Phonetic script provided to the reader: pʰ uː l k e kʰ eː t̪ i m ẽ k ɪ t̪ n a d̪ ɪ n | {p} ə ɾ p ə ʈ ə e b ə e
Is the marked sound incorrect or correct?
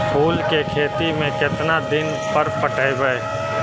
correct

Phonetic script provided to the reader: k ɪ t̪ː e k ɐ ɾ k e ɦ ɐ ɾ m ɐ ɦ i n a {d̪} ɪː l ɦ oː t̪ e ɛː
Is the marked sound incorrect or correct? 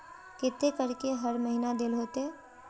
correct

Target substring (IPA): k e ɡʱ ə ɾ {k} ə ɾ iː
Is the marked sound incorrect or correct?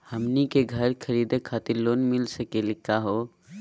incorrect: kʰ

